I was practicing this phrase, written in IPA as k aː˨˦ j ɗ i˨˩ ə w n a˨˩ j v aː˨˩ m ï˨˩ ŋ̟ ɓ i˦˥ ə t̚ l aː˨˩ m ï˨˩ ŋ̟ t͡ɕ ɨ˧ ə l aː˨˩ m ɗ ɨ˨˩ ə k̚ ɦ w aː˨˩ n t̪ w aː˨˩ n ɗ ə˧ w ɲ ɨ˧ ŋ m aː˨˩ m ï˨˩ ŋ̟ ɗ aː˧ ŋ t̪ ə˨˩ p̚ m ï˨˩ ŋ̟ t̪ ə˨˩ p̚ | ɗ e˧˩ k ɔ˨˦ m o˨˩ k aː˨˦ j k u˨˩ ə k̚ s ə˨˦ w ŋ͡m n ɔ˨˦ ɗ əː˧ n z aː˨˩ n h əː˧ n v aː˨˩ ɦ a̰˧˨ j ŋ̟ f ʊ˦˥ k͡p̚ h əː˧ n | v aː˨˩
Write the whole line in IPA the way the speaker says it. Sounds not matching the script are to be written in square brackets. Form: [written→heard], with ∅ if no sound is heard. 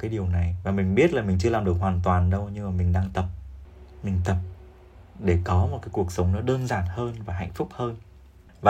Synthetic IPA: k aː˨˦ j ɗ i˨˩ ə w n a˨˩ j v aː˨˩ m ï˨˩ ŋ̟ ɓ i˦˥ ə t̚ l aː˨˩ m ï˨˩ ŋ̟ t͡ɕ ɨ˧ ə l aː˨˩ m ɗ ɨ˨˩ ə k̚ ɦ w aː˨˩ n t̪ w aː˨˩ n ɗ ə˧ w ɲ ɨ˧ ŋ m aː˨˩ m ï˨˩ ŋ̟ ɗ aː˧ ŋ t̪ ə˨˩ p̚ m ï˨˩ ŋ̟ t̪ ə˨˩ p̚ | ɗ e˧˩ k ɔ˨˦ m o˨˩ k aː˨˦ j k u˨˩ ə k̚ s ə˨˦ w ŋ͡m n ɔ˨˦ ɗ əː˧ n z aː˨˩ n h əː˧ n v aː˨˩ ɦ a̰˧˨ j ŋ̟ f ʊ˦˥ k͡p̚ h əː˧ n | v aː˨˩